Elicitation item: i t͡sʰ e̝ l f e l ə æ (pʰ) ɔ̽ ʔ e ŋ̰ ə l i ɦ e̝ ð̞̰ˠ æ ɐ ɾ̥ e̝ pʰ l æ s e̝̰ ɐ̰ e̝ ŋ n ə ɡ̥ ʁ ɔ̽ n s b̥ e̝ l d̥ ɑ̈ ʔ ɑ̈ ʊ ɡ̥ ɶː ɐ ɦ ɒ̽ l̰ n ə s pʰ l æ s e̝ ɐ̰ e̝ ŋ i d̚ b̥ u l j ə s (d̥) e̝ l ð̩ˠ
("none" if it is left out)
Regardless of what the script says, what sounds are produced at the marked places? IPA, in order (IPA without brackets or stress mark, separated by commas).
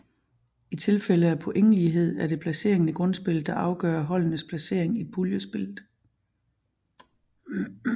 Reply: pʰ, b̥